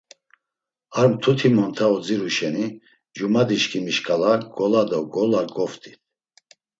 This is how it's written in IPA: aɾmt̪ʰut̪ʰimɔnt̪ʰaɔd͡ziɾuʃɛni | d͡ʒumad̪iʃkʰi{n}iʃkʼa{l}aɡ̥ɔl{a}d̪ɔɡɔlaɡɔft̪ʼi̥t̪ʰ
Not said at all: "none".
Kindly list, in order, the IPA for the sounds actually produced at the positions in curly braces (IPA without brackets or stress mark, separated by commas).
m, l, a